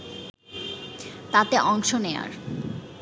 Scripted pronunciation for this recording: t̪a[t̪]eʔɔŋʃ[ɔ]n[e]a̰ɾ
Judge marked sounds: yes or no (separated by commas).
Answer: yes, no, yes